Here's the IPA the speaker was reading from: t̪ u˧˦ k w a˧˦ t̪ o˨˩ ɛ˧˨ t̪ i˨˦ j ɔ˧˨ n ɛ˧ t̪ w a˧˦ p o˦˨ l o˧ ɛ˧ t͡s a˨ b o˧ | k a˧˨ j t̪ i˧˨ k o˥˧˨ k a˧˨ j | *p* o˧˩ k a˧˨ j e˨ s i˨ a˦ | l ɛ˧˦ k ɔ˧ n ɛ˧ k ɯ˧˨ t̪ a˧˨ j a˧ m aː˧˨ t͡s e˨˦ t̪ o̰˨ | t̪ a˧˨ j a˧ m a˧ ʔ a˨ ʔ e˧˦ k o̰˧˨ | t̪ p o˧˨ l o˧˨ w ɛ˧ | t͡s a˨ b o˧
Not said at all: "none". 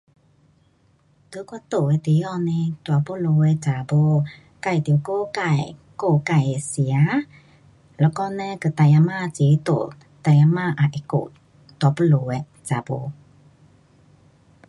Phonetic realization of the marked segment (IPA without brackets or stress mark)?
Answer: k